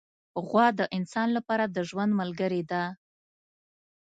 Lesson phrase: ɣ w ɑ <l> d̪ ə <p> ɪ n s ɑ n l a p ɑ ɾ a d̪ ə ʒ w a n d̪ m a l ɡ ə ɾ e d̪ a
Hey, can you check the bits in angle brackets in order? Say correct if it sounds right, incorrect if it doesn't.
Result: incorrect: none, incorrect: ʔ

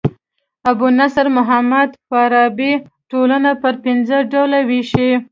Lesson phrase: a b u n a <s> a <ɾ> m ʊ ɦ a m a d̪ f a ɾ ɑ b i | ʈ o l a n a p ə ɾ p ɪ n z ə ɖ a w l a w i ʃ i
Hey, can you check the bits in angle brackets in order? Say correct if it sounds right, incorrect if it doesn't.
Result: correct, correct

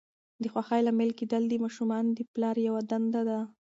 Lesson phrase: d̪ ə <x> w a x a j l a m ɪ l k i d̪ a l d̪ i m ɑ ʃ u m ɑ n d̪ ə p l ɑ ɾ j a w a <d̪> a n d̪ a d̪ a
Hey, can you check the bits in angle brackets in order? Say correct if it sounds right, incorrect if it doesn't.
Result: correct, correct

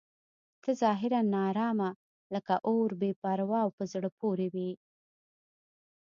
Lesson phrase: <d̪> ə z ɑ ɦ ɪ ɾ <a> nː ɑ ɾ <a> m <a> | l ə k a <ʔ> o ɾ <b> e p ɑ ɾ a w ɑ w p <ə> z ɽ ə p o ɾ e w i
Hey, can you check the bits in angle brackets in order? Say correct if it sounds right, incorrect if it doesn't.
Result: incorrect: t̪, correct, incorrect: ɑ, correct, correct, correct, correct

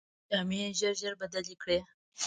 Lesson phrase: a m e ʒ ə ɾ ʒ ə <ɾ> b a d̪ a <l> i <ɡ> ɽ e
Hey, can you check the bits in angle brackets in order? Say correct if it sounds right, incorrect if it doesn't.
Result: correct, correct, incorrect: k

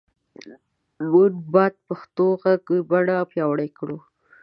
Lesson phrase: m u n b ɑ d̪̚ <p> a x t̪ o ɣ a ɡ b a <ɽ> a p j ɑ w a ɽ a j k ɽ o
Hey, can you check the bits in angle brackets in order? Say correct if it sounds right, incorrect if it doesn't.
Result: correct, correct

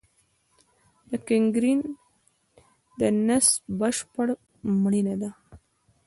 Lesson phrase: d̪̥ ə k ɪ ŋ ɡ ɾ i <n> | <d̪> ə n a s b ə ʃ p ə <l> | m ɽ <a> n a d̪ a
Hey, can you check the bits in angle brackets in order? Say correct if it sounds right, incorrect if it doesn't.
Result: correct, correct, incorrect: ɽ, incorrect: i

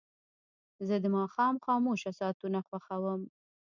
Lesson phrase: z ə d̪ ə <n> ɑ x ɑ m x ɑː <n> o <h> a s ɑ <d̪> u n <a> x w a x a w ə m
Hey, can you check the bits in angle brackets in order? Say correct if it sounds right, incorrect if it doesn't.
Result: incorrect: m, incorrect: m, incorrect: ʃ, incorrect: t̪, correct

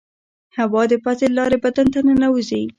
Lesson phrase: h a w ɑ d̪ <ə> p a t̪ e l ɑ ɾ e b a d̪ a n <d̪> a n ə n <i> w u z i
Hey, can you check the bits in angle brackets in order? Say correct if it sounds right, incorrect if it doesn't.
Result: correct, incorrect: t̪, incorrect: a

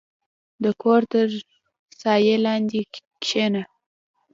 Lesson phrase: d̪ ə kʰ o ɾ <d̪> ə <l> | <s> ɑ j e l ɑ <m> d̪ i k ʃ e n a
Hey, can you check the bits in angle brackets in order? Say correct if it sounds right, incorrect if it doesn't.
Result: incorrect: t̪, incorrect: ɾ, correct, incorrect: n

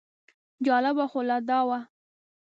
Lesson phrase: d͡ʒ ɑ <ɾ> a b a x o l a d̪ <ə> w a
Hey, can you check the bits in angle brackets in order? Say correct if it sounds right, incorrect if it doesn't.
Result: incorrect: l, incorrect: ɑ

